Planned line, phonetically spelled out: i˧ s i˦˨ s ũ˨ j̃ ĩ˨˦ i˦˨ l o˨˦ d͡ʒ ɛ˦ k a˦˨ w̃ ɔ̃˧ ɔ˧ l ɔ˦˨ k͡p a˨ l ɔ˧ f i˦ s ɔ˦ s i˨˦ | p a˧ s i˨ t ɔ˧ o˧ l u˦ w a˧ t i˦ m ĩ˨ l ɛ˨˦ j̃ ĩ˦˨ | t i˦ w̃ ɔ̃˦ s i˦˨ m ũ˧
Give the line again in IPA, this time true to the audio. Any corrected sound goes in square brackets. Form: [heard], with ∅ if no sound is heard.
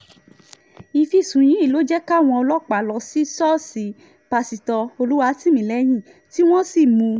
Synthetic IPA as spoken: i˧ [f] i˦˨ s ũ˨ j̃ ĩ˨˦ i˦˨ l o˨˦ d͡ʒ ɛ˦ k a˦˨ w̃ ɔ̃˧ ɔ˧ l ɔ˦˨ k͡p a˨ l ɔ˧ [s] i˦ s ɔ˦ s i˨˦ | p a˧ s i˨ t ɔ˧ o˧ l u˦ w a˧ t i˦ m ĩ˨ l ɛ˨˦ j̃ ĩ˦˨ | t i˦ w̃ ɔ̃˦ s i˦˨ m ũ˧